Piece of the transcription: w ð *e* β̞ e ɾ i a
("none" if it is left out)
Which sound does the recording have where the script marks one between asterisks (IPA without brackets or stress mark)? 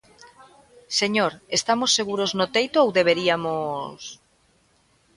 e